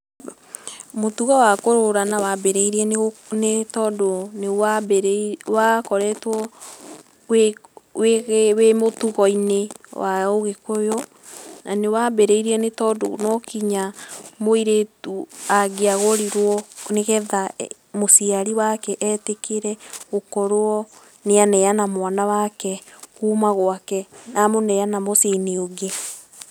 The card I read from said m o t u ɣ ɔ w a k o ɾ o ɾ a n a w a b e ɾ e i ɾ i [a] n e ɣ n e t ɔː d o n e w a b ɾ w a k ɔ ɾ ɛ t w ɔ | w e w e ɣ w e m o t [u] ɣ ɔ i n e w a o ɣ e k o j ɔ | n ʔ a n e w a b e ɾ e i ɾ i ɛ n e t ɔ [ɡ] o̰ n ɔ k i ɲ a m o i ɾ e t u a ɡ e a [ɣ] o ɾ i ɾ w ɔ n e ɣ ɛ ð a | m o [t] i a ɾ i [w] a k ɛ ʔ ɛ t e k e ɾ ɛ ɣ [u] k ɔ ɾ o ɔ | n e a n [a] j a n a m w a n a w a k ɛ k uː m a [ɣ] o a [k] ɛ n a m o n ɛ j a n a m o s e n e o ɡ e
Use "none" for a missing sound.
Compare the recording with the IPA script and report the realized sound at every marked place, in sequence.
ɛ, u, d, ɣ, s, w, o, ɛ, ɣ, k

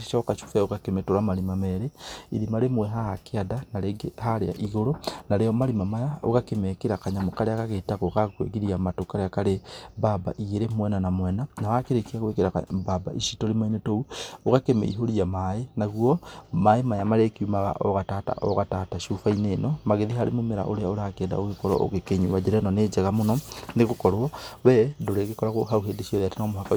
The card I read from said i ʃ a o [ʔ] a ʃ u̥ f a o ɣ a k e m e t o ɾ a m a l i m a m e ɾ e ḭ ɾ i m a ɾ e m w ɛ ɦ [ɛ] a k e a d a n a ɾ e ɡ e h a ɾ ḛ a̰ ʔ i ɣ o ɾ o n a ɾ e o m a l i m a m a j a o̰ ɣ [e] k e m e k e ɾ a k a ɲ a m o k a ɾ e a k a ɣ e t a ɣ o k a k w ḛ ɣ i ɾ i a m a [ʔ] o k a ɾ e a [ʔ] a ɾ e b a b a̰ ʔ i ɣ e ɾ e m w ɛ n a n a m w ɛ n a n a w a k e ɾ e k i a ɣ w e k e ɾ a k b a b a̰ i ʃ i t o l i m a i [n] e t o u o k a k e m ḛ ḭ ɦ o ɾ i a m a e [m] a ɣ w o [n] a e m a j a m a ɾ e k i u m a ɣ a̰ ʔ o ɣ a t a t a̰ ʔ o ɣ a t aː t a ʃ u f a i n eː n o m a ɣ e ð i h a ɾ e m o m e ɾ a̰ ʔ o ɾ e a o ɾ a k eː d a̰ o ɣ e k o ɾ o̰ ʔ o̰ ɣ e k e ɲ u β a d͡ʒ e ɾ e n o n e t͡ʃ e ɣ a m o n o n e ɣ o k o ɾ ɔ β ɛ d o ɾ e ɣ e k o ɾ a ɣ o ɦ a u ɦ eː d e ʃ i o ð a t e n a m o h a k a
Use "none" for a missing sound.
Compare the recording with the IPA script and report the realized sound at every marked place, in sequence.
k, a, a, t, k, n, n, m

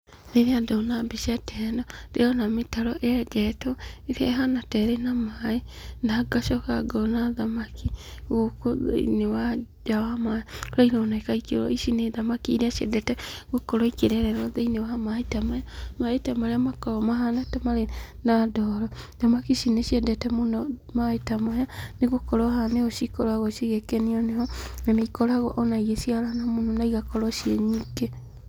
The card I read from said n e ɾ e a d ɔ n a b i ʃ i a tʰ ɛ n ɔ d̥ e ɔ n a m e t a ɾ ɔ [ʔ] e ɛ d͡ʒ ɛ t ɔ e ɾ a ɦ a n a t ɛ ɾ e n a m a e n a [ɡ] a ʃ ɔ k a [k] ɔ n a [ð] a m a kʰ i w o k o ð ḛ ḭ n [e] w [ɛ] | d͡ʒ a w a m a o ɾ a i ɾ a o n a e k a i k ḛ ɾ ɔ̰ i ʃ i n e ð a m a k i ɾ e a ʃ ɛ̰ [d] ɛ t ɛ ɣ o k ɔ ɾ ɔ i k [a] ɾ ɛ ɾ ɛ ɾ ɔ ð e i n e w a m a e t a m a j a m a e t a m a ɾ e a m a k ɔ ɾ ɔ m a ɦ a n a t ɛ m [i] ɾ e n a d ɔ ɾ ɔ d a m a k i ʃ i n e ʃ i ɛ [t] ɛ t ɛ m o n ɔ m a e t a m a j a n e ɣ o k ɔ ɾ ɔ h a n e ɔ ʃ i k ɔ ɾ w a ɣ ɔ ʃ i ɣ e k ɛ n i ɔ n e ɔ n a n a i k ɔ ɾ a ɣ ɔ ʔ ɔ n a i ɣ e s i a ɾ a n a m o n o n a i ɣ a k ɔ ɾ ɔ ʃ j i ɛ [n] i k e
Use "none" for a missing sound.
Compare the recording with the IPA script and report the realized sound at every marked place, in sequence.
ʔ, ɡ, ɡ, ð, e, a, d, e, a, d, ɲ

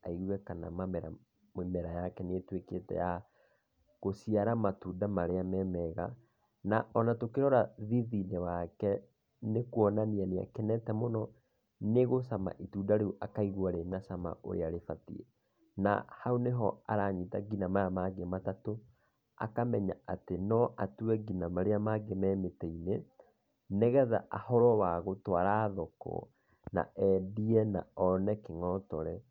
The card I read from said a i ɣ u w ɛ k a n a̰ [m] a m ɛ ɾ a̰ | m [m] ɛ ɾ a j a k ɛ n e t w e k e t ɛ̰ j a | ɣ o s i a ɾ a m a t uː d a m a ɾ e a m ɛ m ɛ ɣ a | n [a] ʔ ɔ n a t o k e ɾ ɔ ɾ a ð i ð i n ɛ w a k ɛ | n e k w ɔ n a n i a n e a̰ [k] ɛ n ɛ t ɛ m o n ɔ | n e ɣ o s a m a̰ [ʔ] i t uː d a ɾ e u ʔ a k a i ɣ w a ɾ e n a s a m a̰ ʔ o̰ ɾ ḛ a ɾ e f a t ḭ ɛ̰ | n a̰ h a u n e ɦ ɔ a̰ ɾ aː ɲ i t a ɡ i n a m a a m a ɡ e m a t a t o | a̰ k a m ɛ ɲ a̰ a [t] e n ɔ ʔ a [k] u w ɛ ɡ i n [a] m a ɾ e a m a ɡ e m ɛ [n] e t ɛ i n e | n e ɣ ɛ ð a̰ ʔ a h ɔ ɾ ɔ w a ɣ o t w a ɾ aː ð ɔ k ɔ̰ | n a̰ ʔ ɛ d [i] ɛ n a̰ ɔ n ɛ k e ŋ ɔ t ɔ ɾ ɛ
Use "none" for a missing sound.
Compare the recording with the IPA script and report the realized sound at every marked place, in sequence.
m, m, a, k, ʔ, t, t, a, m, i

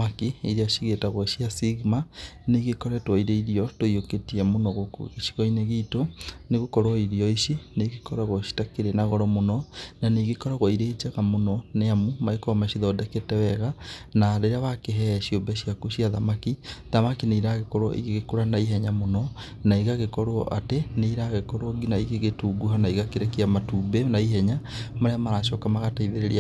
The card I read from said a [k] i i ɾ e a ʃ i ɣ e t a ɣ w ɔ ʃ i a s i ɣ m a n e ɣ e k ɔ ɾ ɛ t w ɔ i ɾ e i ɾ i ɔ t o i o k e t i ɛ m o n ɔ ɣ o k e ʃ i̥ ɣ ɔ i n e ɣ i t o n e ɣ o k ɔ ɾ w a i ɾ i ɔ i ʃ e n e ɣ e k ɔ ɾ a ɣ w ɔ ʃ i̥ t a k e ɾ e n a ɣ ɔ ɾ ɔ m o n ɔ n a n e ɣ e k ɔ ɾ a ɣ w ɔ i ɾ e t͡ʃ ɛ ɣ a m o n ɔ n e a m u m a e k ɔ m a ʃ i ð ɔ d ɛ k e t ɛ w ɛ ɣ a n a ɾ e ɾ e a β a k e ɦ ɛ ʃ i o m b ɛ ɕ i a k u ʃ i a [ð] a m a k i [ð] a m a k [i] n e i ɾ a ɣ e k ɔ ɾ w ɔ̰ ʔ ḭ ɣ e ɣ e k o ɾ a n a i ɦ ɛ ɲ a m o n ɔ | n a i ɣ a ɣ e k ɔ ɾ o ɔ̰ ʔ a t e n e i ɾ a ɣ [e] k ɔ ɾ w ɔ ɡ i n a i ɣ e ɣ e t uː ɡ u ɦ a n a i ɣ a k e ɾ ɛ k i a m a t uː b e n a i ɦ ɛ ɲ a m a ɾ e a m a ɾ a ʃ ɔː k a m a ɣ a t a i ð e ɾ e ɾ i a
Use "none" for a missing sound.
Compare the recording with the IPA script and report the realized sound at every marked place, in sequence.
k, ð, ð, i, e

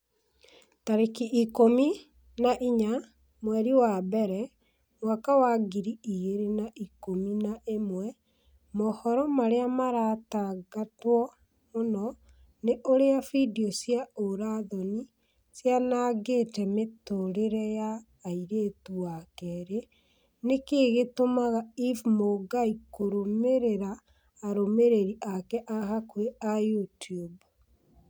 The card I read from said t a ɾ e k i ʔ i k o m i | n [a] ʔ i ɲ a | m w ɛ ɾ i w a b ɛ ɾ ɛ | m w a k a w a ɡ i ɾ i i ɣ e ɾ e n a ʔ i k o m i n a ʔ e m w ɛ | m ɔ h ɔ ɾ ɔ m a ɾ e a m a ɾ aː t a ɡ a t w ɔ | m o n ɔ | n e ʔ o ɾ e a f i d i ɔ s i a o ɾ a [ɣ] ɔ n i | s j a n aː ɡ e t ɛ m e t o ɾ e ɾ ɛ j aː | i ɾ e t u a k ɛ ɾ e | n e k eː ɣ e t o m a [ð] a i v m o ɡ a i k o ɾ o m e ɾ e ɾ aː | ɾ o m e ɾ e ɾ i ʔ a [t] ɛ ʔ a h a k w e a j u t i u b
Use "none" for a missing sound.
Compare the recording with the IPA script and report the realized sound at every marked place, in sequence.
a, ð, ɣ, k

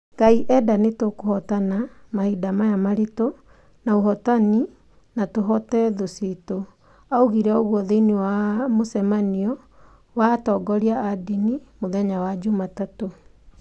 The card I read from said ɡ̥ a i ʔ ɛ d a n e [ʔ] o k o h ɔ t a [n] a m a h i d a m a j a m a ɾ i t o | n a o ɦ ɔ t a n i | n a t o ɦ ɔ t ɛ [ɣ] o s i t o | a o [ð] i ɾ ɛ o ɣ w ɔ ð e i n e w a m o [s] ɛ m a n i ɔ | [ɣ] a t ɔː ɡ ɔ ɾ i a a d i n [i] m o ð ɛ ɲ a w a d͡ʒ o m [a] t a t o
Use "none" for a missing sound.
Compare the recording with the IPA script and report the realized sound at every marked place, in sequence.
t, n, ð, ɣ, s, w, i, a

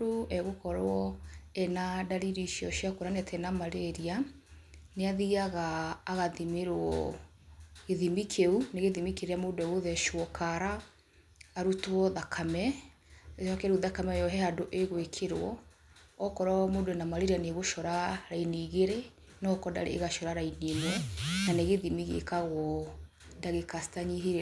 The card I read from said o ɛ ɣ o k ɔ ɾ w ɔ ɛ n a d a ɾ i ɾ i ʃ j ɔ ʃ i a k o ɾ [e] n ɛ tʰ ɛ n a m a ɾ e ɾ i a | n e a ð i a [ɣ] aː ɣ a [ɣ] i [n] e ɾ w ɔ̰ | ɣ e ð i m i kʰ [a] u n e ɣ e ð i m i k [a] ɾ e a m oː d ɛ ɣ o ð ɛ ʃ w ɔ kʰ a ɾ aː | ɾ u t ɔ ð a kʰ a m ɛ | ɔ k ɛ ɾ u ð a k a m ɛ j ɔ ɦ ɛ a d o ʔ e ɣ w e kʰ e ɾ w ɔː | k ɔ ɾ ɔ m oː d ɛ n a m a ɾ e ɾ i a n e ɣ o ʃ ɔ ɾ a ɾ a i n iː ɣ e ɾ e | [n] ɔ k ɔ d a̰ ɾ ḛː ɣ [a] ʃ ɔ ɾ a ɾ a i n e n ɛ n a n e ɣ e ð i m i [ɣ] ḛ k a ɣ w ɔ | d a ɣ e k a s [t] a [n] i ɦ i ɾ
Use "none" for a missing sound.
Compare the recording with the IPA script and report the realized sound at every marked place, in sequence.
a, ɣ, ð, m, e, e, n, a, ɣ, t, ɲ

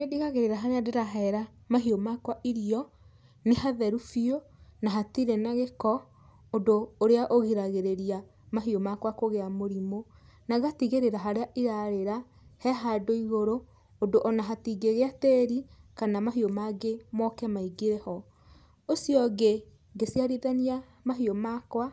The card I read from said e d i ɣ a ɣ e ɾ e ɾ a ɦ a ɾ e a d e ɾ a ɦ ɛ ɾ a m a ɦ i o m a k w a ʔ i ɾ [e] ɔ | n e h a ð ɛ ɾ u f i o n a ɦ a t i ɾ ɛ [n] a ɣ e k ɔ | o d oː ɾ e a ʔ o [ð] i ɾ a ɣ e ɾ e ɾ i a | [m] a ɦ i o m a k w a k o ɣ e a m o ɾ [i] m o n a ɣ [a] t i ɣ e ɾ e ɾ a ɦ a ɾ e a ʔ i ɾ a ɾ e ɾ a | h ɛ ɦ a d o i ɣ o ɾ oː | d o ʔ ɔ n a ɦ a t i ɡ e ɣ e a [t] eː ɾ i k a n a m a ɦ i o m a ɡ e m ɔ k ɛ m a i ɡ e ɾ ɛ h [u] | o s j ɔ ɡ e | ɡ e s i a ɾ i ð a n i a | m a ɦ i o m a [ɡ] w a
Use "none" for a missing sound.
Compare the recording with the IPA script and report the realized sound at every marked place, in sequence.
i, n, ɣ, m, i, a, t, ɔ, k

